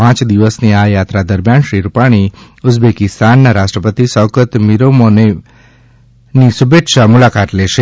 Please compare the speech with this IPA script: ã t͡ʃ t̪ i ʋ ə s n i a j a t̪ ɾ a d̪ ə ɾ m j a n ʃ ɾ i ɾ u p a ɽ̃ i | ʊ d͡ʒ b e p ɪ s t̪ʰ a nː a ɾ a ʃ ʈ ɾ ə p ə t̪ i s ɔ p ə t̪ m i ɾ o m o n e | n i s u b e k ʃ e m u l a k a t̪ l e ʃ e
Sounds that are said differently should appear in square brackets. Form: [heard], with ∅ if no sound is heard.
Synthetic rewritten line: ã t͡ʃ [d̪] i ʋ ə s n i a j a t̪ ɾ a d̪ ə ɾ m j a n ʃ ɾ i ɾ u p a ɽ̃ i | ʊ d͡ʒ b e [k] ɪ s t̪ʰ a nː a ɾ a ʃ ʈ ɾ ə p ə t̪ i s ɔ [k] ə t̪ m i ɾ o m o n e | n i s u b e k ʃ [a] m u l a k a t̪ l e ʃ e

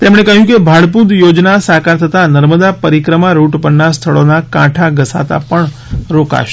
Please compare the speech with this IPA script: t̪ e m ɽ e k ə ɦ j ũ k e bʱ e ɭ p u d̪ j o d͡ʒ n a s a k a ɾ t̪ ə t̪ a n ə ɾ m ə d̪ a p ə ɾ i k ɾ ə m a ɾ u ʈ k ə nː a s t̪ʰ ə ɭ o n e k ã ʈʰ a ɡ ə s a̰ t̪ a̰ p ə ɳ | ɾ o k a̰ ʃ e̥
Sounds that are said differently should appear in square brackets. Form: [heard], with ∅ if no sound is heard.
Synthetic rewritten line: t̪ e m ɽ e k ə ɦ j ũ k e bʱ [a] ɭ p u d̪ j o d͡ʒ n a s a k a ɾ [t̪ʰ] ə t̪ a n ə ɾ m ə d̪ a p ə ɾ i k ɾ ə m a ɾ u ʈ [p] ə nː a s t̪ʰ ə ɭ o n [a] k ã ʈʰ a ɡ ə s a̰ t̪ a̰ p ə ɳ | ɾ o k a̰ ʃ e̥

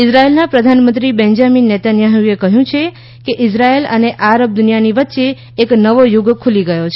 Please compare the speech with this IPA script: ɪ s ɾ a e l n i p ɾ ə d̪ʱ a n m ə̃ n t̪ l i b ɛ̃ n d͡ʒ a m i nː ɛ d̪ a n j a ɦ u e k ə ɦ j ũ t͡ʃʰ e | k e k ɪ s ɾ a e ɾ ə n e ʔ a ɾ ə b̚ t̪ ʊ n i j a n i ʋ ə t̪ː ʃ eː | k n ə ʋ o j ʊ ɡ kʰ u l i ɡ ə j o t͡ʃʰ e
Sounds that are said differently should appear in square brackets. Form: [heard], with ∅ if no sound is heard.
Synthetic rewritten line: ɪ s ɾ a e l n [a] p ɾ ə d̪ʱ a n m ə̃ n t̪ [ɾ] i b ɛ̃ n d͡ʒ a m i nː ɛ [t̪] a n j a ɦ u e k ə ɦ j ũ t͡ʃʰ e | k e [ʔ] ɪ s ɾ a e [l] ə n e ʔ a ɾ ə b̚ [d̪] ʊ n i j a n i ʋ ə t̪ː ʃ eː | k n ə ʋ o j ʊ ɡ kʰ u l i ɡ ə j o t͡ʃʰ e

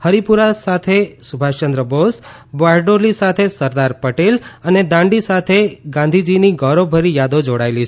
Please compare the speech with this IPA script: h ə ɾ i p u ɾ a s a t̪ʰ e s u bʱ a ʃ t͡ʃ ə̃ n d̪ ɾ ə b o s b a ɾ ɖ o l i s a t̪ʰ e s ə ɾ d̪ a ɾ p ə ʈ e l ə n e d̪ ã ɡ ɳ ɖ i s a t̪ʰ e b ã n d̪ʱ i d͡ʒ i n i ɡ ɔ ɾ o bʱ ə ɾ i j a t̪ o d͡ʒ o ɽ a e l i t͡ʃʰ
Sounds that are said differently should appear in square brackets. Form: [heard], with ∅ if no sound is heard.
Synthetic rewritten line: h ə ɾ i p u ɾ a s a t̪ʰ e s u bʱ a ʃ t͡ʃ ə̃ n d̪ ɾ ə b o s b a ɾ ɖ o l i s a t̪ʰ e s ə ɾ d̪ a ɾ p ə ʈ e l ə n e d̪ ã [∅] ɳ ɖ i s a t̪ʰ e [ɡ] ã n d̪ʱ i d͡ʒ i n i ɡ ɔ ɾ o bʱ ə ɾ i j a [d̪] o d͡ʒ o ɽ a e l i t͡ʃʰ

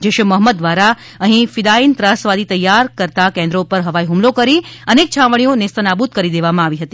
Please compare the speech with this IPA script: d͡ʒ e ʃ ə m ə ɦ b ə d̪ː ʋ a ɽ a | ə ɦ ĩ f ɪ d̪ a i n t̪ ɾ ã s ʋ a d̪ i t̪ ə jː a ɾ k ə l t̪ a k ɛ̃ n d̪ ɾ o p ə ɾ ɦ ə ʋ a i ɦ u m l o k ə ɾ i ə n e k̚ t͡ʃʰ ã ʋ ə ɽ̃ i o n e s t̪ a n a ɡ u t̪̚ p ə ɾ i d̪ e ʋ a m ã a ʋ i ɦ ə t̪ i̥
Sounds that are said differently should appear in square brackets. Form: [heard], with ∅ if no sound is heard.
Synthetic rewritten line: d͡ʒ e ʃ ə m ə ɦ [m] ə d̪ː ʋ a [ɾ] a | ə ɦ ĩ f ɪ d̪ a i n t̪ ɾ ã s ʋ a d̪ i t̪ ə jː a ɾ k ə [ɾ] t̪ a k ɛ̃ n d̪ ɾ o p ə ɾ ɦ ə ʋ a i ɦ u m l o k ə ɾ i ə n e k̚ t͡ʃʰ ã ʋ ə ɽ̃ i o n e s t̪ [ə] n a [b] u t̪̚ [k] ə ɾ i d̪ e ʋ a m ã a ʋ i ɦ ə t̪ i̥

